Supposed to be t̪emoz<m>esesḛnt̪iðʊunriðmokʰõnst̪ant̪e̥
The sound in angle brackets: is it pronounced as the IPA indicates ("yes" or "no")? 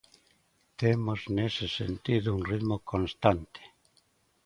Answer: no